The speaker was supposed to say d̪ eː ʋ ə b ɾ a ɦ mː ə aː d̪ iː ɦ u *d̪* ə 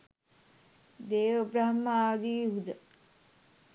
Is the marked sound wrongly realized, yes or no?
no